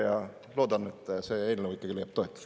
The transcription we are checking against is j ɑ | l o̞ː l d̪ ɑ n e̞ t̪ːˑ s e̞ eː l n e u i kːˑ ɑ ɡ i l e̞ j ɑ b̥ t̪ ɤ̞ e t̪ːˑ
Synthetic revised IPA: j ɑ | l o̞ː d̪ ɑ n e̞ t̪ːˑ s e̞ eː l n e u i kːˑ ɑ ɡ i l e̞ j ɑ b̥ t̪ o̞ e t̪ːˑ